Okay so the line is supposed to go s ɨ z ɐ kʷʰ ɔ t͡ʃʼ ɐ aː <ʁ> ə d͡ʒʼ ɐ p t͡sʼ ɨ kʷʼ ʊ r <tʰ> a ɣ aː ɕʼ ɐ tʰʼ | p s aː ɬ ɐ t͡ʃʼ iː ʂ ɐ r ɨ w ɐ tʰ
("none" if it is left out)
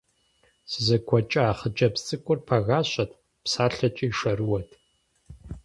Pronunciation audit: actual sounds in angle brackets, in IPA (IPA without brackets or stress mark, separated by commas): χ, pʰ